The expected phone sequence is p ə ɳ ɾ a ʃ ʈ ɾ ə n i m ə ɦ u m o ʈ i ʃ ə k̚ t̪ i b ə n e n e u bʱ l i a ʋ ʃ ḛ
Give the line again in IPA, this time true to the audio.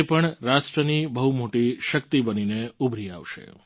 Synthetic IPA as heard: p ə ɳ ɾ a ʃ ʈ ɾ ə n i b ə ɦ u m o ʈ i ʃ ə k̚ t̪ i b ə n i n e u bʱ ɾ i a ʋ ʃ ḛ